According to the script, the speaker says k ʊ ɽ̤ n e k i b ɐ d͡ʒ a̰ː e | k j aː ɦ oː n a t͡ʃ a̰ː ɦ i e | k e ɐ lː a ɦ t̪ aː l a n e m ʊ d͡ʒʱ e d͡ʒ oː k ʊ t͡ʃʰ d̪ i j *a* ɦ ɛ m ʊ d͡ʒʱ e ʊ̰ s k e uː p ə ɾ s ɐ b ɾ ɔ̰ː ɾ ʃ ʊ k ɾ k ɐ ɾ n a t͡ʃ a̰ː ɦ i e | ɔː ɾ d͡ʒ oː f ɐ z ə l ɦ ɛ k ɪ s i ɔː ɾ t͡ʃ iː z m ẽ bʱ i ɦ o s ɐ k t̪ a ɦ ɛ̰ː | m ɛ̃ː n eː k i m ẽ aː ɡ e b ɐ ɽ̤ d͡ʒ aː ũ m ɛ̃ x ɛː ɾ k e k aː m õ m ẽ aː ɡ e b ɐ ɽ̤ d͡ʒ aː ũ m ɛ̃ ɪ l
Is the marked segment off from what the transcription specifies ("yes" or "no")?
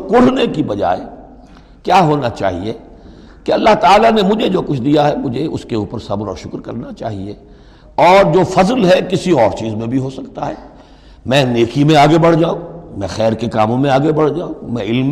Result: no